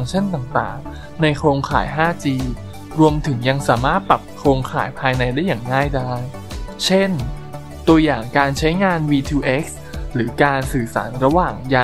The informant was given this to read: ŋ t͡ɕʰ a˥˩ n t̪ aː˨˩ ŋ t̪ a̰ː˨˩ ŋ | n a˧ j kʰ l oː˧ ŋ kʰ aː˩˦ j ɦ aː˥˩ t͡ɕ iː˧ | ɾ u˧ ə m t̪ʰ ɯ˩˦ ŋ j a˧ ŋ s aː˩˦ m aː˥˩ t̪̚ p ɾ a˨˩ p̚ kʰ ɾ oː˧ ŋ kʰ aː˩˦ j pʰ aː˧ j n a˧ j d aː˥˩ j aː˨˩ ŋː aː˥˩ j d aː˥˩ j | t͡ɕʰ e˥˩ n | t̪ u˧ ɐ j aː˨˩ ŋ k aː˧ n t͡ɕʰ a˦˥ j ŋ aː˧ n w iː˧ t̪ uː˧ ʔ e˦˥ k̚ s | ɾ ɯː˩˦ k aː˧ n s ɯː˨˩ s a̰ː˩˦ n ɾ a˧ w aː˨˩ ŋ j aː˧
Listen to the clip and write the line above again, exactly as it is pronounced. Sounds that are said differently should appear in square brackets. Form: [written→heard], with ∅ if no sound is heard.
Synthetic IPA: ŋ t͡ɕʰ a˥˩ n t̪ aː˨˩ ŋ t̪ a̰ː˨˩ ŋ | n a˧ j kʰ [l→ɾ] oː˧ ŋ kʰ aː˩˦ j ɦ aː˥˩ t͡ɕ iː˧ | ɾ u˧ ə m t̪ʰ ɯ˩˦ ŋ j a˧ ŋ s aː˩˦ m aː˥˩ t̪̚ p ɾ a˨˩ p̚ kʰ ɾ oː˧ ŋ kʰ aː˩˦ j pʰ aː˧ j n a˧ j d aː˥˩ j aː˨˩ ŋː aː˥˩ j d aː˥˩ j | t͡ɕʰ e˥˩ n | t̪ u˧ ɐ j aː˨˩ ŋ k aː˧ n t͡ɕʰ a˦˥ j ŋ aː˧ n w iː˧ [t̪→t̪ʰ] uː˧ ʔ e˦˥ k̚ s | ɾ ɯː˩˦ k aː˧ n s ɯː˨˩ s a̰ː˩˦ n ɾ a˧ w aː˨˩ ŋ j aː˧